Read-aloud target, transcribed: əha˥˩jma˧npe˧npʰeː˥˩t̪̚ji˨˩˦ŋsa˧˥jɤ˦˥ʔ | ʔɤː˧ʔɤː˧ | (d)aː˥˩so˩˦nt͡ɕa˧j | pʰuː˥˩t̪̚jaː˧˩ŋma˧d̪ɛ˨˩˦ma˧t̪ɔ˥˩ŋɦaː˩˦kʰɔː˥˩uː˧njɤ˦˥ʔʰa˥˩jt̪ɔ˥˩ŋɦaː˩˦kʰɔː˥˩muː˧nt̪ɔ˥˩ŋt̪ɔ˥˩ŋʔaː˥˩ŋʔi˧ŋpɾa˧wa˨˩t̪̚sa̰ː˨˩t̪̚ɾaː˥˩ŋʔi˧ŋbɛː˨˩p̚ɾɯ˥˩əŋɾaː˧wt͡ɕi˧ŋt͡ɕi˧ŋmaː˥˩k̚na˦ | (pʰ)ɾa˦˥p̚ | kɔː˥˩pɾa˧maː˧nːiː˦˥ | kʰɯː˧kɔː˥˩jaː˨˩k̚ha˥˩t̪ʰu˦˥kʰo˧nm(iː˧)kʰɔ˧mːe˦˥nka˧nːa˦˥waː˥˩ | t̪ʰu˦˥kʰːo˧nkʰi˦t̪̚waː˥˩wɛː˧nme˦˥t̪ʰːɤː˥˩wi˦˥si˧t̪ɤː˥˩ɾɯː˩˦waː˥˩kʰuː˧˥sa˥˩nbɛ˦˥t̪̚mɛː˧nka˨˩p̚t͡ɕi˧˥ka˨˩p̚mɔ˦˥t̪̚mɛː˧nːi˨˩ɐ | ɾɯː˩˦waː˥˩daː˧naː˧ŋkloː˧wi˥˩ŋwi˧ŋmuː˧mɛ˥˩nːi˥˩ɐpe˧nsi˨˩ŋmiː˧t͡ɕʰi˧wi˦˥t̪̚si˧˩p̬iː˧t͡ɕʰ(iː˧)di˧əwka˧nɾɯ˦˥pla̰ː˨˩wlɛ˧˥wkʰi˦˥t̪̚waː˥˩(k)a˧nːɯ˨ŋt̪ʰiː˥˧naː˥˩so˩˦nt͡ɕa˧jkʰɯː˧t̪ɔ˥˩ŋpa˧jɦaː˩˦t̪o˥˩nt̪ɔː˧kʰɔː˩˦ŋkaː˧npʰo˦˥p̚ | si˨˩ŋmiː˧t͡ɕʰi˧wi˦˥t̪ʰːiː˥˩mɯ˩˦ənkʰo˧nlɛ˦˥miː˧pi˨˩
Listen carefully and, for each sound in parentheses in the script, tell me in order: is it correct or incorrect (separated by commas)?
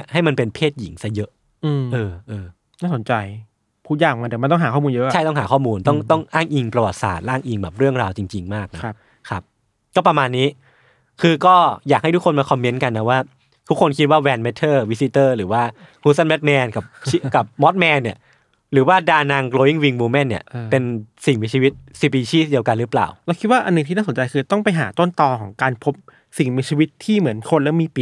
incorrect, incorrect, incorrect, incorrect, incorrect